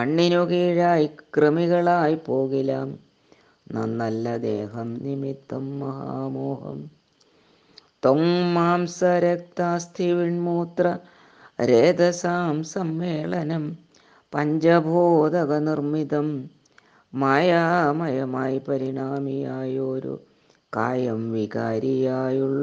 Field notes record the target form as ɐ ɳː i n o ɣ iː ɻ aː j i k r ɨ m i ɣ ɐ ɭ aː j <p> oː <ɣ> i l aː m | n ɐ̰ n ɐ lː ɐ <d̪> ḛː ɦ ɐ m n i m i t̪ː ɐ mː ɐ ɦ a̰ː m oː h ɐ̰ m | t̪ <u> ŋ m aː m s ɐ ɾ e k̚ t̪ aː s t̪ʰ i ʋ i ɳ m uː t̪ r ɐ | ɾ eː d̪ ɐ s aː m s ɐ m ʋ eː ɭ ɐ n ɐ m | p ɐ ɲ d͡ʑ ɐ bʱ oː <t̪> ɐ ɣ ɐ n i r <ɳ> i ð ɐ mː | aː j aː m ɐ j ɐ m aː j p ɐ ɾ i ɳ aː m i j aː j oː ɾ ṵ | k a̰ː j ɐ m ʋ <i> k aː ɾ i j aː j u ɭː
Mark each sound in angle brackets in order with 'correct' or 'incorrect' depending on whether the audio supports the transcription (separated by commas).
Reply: correct, correct, correct, incorrect, incorrect, incorrect, correct